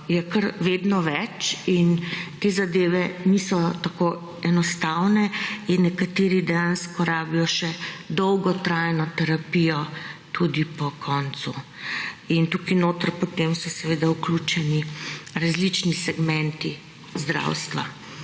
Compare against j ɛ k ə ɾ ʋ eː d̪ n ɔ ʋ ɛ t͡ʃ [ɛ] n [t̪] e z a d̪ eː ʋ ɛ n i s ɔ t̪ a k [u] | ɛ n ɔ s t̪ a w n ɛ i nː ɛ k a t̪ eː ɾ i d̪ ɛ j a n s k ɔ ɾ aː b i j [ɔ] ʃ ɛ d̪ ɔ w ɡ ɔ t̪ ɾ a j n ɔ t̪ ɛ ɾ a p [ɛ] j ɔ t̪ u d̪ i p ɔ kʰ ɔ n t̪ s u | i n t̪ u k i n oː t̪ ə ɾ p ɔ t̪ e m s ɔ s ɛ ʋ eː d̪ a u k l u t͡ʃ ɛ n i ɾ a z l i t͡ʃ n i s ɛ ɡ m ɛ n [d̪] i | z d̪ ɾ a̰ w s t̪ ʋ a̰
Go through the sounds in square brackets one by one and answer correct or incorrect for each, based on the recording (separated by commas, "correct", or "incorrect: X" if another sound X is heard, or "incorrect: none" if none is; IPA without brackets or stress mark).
incorrect: i, correct, incorrect: o, correct, incorrect: i, incorrect: t̪